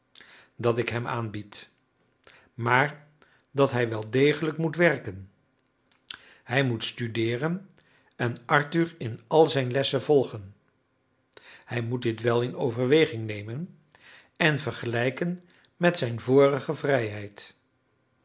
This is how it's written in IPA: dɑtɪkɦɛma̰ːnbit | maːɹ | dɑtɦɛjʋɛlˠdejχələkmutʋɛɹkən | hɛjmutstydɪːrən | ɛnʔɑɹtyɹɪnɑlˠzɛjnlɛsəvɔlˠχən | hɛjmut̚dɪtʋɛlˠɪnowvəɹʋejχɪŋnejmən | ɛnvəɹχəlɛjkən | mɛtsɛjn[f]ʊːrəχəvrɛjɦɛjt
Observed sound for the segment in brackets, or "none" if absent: v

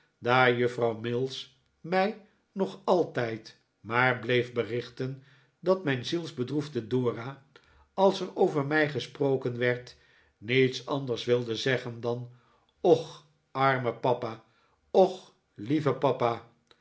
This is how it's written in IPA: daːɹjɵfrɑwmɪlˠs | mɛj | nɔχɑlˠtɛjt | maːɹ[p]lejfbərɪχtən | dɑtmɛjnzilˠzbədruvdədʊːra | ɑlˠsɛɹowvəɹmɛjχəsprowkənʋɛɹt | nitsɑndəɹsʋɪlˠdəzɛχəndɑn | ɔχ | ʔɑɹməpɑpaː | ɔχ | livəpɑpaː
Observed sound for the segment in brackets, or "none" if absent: b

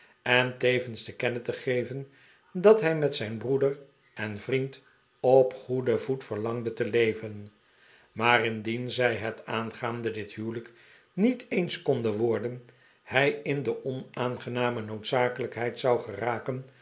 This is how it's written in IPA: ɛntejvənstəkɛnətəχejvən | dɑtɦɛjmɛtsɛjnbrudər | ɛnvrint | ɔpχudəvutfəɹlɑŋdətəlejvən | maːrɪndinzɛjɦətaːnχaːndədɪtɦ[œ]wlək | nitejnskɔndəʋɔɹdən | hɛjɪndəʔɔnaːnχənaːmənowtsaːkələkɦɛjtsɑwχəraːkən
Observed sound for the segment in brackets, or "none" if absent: y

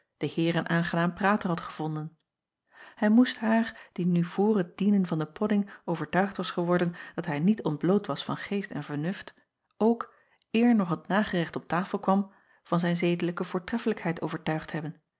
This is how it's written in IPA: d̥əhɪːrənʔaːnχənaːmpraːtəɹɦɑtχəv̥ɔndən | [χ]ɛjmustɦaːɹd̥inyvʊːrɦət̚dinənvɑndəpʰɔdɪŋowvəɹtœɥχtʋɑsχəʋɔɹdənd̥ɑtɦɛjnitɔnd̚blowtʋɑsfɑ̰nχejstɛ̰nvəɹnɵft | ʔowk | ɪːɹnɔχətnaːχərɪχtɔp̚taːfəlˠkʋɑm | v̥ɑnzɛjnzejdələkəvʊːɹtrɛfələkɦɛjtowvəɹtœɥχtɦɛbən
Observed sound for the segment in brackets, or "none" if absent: h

